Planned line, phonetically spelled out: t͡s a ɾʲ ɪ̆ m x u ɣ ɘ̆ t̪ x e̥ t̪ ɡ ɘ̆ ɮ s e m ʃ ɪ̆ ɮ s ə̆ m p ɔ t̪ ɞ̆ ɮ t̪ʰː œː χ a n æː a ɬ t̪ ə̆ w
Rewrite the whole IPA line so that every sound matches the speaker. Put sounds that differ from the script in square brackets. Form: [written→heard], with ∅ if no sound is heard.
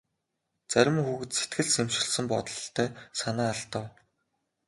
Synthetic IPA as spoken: t͡s [a→æ] ɾʲ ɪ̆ m x u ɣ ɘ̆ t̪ [x→s] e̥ t̪ ɡ ɘ̆ ɮ s e m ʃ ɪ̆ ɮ s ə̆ m p ɔ t̪ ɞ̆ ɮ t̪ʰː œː [χ→s] a n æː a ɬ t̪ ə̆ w